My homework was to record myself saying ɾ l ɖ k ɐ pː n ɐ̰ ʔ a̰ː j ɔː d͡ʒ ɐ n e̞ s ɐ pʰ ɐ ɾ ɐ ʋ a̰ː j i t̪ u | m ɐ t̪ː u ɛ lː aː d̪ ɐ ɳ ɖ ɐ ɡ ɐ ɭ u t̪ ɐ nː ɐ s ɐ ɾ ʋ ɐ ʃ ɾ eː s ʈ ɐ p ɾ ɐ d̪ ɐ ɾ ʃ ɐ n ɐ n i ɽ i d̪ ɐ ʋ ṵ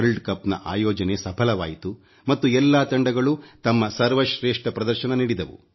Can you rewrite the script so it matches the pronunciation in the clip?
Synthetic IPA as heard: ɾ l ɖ k ɐ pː n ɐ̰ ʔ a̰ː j ɔː d͡ʒ ɐ n e̞ s ɐ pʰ ɐ l ɐ ʋ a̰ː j i t̪ u | m ɐ t̪ː u ɛ lː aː t̪ ɐ ɳ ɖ ɐ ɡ ɐ ɭ u t̪ ɐ mː ɐ s ɐ ɾ ʋ ɐ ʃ ɾ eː ʂ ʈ ɐ p ɾ ɐ d̪ ɐ ɾ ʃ ɐ n ɐ n i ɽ i d̪ ɐ ʋ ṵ